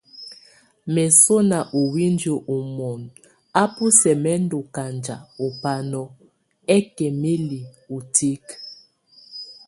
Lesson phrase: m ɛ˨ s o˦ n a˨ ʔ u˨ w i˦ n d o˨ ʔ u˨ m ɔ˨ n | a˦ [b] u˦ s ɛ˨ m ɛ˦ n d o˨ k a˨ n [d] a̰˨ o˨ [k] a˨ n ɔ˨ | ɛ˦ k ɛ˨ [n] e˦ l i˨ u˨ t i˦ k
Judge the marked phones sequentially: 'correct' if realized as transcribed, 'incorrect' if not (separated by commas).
incorrect, incorrect, incorrect, incorrect